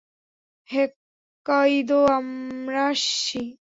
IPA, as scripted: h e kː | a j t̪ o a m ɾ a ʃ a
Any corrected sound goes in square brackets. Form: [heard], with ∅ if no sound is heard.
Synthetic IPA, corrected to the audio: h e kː | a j [d̪] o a m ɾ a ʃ [i]

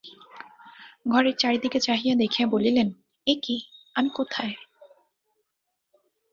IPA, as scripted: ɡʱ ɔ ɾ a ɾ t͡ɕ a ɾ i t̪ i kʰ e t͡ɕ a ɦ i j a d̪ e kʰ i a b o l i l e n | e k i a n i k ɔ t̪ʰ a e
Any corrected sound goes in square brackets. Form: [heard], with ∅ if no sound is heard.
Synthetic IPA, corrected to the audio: ɡʱ ɔ ɾ [e] ɾ t͡ɕ a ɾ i [d̪] i [k] e t͡ɕ a ɦ i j a d̪ e kʰ i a b o l i l e n | e k i a [m] i k [o] t̪ʰ a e

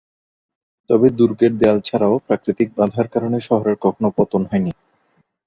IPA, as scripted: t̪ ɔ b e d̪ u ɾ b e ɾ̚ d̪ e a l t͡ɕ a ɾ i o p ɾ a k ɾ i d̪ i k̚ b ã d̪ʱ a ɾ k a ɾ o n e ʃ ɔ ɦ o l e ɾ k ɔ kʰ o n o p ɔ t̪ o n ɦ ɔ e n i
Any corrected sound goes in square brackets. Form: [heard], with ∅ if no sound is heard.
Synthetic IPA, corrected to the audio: t̪ ɔ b e d̪ u ɾ [ɡ] e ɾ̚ d̪ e a l [t͡ɕʰ] a ɾ [a] o p ɾ a k ɾ i [t̪] i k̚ b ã d̪ʱ a ɾ k a ɾ o n e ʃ ɔ ɦ o [ɾ] e ɾ k ɔ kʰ o n o p ɔ t̪ o n ɦ ɔ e n i

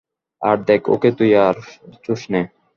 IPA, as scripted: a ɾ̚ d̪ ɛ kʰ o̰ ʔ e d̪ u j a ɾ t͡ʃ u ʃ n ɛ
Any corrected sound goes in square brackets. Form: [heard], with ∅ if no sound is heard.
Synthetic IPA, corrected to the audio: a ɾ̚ d̪ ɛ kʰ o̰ [k] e [t̪] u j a ɾ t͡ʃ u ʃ n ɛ

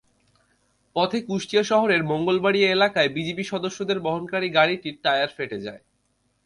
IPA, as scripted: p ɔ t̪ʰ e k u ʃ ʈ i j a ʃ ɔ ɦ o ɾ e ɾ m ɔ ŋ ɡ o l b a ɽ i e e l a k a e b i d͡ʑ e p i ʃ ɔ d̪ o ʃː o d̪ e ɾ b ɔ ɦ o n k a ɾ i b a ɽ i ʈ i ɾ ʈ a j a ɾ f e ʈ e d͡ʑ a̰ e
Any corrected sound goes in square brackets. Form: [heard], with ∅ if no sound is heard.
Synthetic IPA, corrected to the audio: p ɔ t̪ʰ e k u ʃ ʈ i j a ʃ ɔ ɦ o ɾ e ɾ m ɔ ŋ ɡ o l b a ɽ i e e l a k a e b i d͡ʑ e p i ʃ ɔ d̪ o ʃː o d̪ e ɾ b ɔ ɦ o n k a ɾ i [ɡ] a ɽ i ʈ i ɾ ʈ a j a ɾ f e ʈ e d͡ʑ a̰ e

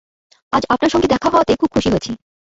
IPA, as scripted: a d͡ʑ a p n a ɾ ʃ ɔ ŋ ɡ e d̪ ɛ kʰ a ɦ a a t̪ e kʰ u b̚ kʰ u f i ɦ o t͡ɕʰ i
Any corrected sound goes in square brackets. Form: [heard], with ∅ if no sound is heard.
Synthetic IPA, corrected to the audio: a d͡ʑ a p n a ɾ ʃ ɔ ŋ ɡ e d̪ ɛ kʰ a ɦ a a t̪ e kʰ u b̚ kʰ u [ʃ] i ɦ o t͡ɕʰ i

